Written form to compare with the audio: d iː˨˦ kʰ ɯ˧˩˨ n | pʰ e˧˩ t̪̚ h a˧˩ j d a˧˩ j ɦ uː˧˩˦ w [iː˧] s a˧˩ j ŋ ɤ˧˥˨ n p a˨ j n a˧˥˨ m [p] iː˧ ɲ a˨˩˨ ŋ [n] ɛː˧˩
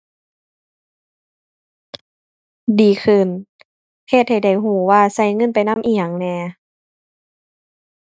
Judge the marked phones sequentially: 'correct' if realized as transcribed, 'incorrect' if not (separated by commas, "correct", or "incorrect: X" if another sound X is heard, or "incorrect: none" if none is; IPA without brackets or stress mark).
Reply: incorrect: aː˧, incorrect: ʔ, correct